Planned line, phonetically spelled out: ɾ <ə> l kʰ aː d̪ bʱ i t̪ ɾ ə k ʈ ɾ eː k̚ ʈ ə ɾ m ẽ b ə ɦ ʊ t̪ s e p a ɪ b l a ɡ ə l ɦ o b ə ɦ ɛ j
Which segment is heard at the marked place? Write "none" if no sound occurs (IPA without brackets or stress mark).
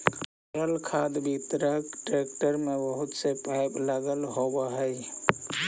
ə